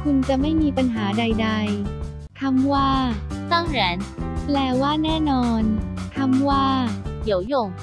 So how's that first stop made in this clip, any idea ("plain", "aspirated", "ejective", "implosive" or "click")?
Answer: aspirated